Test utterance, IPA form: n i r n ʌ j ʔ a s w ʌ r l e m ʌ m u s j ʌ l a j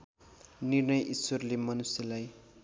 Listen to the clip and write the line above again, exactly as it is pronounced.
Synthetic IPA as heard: n i r n ʌ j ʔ i s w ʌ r l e m ʌ n u s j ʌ l a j